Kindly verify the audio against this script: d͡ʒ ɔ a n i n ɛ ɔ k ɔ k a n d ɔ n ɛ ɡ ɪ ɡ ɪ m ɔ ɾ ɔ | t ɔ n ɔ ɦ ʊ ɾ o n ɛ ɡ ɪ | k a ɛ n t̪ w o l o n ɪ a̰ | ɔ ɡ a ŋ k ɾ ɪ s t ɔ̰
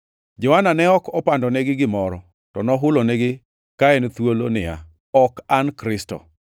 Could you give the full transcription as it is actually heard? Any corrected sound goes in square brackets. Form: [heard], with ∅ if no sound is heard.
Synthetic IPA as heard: d͡ʒ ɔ a n [a] n ɛ ɔ k ɔ [p] a n d ɔ n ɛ ɡ ɪ ɡ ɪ m ɔ ɾ ɔ | t ɔ n ɔ ɦ ʊ [l] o n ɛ ɡ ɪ | k a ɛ n t̪ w o l o n ɪ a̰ | ɔ [k] a [n] k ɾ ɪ s t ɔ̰

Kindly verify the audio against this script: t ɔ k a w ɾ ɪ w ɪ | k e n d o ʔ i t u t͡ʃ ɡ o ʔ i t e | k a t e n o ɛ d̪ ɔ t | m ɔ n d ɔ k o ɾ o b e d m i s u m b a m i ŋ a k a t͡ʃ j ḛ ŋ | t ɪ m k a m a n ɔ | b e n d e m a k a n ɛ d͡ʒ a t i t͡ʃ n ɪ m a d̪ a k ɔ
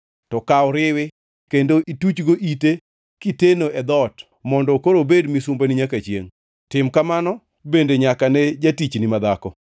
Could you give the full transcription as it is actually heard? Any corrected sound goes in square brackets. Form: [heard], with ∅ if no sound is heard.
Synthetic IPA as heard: t ɔ k a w ɾ ɪ w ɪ | k e n d o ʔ i t u t͡ʃ ɡ o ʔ i t e | k [i] t e n o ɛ d̪ ɔ t | m ɔ n d ɔ k o ɾ o b e d m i s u m b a [n] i [ɲ] a k a t͡ʃ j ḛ ŋ | t ɪ m k a m a n ɔ | b e n d e [ɲ] a k a n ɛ d͡ʒ a t i t͡ʃ n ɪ m a d̪ a k ɔ

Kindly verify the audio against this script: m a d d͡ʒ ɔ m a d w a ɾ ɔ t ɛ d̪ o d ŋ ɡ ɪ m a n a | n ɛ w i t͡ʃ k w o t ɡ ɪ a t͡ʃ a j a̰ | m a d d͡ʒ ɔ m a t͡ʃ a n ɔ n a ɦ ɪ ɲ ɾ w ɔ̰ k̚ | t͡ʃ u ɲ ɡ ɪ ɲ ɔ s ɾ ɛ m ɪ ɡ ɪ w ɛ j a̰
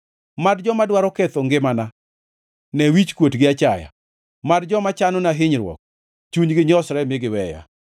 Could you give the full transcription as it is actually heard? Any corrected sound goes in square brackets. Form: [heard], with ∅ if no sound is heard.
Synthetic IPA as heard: m a d d͡ʒ ɔ m a d w a ɾ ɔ [k] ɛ [t̪] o [∅] ŋ ɡ ɪ m a n a | n ɛ w i t͡ʃ k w o t ɡ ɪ a t͡ʃ a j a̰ | m a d d͡ʒ ɔ m a t͡ʃ a n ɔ n a ɦ ɪ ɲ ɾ w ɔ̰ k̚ | t͡ʃ u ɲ ɡ ɪ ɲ ɔ s ɾ ɛ m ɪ ɡ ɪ w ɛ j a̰

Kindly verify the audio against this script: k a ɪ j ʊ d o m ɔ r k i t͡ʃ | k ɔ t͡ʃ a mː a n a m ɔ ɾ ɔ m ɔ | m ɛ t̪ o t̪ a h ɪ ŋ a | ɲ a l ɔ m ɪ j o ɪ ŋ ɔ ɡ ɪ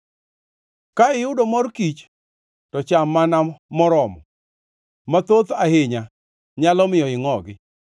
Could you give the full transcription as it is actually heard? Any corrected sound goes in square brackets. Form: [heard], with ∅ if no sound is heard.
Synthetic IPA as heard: k a ɪ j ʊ d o m ɔ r k i t͡ʃ | [t] ɔ t͡ʃ a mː a n a m ɔ ɾ ɔ m ɔ | m [a] t̪ o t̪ a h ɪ [ɲ] a | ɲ a l ɔ m ɪ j [ɔ] ɪ ŋ ɔ ɡ ɪ

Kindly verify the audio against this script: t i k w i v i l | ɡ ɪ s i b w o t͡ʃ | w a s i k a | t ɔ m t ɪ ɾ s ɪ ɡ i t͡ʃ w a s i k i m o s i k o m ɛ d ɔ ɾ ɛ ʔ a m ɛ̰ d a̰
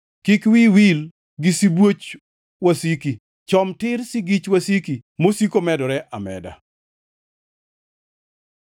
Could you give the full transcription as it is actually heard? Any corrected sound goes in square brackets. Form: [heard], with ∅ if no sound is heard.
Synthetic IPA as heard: [k] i k w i [w] i l | ɡ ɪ s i b w o t͡ʃ | w a s i k [i] | [t͡ʃ] ɔ m t ɪ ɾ s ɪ ɡ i t͡ʃ w a s i k i m o s i k o m ɛ d ɔ ɾ ɛ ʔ a m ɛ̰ d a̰

